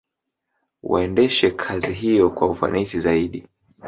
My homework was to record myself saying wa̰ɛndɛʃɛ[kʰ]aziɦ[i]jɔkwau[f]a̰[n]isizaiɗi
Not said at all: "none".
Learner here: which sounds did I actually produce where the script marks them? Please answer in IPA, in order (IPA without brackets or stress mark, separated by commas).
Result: kʰ, i, f, n